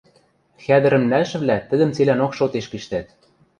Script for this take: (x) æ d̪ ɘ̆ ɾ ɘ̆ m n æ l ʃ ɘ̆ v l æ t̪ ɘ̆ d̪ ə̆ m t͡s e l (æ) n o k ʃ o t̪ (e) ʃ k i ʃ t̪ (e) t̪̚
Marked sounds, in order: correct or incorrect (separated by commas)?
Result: correct, correct, correct, incorrect